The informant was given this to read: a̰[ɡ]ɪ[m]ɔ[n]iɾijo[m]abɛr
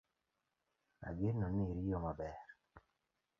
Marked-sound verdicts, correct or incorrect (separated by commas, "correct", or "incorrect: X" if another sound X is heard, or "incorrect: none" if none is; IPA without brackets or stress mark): correct, incorrect: n, correct, correct